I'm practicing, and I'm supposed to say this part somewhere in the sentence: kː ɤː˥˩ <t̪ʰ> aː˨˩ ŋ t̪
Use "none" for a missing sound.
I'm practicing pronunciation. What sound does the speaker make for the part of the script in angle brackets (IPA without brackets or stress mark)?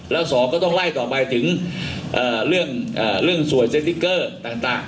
t̪